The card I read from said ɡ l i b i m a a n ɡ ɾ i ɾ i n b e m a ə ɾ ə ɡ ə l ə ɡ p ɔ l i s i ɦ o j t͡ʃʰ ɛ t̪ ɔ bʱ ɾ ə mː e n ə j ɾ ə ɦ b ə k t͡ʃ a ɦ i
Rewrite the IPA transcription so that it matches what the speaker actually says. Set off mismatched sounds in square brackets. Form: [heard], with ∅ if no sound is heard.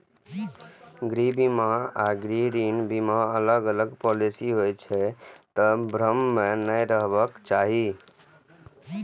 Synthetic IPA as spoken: ɡ [ɾ] i b i m a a [∅] ɡ ɾ i ɾ i n b [i] m a ə [l] ə ɡ ə l ə ɡ p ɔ l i s i ɦ o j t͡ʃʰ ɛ t̪ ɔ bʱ ɾ ə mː e n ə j ɾ ə ɦ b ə k t͡ʃ a ɦ i